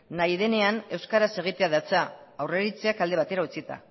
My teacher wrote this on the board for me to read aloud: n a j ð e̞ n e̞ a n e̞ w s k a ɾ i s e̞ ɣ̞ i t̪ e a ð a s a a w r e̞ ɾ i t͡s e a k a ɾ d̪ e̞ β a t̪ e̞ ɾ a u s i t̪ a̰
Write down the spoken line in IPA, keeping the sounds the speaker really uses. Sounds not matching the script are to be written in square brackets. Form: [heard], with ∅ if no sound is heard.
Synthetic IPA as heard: n a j ð e̞ n e̞ a n e̞ w s k a ɾ [a] s e̞ ɣ̞ i t̪ e a ð a [t͡s] a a w r e̞ ɾ i t͡s e a k a [l] d̪ e̞ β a t̪ e̞ ɾ a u [t͡s] i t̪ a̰